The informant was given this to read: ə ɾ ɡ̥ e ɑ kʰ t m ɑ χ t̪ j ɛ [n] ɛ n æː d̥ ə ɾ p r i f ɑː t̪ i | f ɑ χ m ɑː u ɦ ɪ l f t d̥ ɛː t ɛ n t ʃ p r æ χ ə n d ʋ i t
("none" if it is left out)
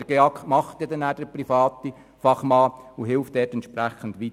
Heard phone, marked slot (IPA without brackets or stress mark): d